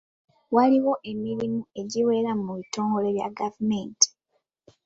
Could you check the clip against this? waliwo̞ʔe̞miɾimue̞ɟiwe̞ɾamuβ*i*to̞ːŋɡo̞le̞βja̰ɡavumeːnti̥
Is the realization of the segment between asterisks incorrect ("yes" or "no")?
no